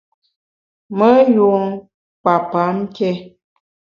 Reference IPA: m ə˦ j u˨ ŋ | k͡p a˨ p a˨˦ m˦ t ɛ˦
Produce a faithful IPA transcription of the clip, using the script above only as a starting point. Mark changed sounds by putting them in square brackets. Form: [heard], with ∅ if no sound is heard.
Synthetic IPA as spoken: m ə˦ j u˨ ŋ | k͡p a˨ p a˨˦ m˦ [k] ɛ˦